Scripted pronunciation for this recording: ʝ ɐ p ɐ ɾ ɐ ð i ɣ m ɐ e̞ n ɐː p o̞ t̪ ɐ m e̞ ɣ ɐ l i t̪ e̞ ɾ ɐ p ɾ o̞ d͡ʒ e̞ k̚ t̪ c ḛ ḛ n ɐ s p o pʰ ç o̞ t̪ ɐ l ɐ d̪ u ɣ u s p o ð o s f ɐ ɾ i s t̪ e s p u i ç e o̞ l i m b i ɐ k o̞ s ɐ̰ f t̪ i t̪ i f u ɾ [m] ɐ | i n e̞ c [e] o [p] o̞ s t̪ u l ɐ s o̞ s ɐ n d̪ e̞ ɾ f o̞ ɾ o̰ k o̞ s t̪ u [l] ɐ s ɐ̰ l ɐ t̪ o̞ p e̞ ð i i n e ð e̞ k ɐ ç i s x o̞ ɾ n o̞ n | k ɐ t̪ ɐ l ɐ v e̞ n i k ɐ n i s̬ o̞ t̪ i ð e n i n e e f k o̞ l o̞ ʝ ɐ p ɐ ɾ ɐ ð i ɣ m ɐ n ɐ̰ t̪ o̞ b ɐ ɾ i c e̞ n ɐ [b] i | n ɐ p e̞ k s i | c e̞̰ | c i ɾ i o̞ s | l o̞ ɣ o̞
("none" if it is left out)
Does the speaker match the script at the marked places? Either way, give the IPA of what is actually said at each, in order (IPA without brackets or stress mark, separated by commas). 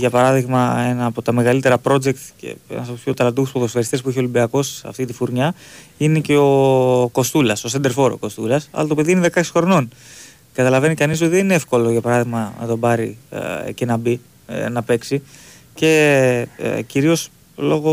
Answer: ɲ, e, k, l, b